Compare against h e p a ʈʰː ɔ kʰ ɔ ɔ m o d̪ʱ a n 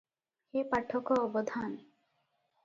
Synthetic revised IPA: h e p a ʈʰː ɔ k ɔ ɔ b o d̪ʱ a n